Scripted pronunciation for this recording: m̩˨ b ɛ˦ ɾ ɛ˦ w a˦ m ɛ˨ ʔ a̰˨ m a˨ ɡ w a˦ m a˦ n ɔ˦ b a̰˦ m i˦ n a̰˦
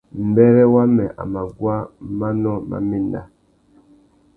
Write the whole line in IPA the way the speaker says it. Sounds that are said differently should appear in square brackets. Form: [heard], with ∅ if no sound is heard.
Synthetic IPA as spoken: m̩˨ b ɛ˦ ɾ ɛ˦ w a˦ m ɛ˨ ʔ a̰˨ m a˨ ɡ w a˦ m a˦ n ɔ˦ [m] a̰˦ m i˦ n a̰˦